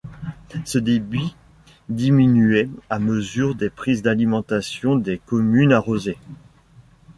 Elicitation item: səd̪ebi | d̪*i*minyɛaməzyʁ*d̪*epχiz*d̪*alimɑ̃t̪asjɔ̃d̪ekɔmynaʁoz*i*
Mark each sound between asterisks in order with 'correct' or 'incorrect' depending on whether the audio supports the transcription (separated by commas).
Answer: correct, correct, correct, incorrect